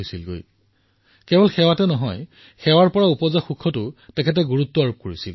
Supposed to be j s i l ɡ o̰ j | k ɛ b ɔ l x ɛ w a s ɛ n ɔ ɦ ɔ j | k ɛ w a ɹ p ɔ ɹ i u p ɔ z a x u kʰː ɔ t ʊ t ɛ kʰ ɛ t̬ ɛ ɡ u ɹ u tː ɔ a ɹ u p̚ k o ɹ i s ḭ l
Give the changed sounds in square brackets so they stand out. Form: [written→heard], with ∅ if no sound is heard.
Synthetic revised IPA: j s i l ɡ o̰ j | k ɛ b ɔ l x ɛ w a [s→t] ɛ n ɔ ɦ ɔ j | [k→x] ɛ w a ɹ p ɔ ɹ [i→a] u p ɔ z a x u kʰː ɔ t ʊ t ɛ kʰ ɛ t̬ ɛ ɡ u ɹ u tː ɔ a ɹ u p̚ k o ɹ i s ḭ l